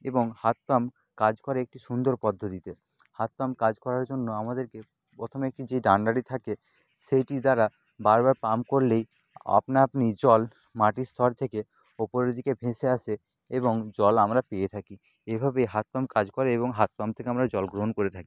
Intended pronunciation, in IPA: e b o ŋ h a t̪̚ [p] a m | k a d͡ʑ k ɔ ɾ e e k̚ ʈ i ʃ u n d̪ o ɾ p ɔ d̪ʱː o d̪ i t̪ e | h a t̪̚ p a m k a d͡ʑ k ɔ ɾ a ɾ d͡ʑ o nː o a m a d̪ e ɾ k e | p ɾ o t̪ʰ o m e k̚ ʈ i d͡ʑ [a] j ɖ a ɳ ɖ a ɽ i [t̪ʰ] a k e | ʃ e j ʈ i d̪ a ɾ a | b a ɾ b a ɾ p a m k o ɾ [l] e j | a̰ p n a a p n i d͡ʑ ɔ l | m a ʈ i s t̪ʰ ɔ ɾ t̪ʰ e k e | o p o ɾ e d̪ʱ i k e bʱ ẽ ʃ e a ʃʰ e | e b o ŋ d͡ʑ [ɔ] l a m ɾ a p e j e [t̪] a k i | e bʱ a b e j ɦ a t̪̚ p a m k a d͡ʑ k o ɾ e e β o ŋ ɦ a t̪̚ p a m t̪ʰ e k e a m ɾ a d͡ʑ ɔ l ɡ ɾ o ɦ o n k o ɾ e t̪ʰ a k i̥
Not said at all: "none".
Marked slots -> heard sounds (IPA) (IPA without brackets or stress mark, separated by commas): p, e, t̪ʰ, l, ɔ, t̪ʰ